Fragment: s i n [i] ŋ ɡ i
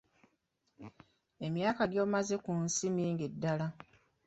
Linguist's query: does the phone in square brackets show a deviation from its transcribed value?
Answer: yes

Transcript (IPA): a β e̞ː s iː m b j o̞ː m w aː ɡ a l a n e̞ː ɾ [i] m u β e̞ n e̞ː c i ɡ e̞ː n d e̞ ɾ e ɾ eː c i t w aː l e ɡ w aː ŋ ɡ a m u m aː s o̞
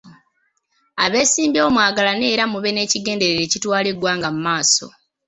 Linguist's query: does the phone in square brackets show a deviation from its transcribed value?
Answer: yes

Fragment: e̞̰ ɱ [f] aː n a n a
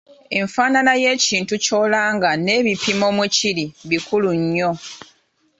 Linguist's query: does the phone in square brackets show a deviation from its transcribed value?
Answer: no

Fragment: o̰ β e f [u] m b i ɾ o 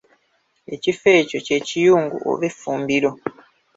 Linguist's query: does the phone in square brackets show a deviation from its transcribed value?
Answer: yes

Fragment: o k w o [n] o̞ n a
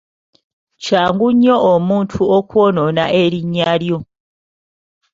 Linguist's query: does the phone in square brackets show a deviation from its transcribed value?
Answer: no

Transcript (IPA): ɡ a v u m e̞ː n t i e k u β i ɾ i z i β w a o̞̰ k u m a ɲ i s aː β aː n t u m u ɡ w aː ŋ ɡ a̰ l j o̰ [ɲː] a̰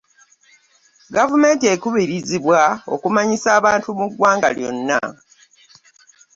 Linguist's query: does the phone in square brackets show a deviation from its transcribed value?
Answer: yes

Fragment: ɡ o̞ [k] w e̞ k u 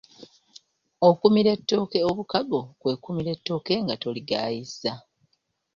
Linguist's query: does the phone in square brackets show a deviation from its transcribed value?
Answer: no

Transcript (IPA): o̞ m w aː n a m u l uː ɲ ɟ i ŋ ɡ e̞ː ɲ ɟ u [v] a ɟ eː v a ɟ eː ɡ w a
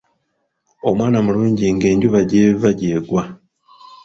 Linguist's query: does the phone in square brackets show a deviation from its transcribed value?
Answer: yes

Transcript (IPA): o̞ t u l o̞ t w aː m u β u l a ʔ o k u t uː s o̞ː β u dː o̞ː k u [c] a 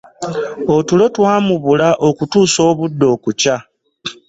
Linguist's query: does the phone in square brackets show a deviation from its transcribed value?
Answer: no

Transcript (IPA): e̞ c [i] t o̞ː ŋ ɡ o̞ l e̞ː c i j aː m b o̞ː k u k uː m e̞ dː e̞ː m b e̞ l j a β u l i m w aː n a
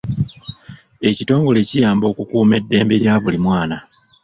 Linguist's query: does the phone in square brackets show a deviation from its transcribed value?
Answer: no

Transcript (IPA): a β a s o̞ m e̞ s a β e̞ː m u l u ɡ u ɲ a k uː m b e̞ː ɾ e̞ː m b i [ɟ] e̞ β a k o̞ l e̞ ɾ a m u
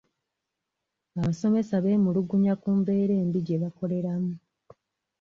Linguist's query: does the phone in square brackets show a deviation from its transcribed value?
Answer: no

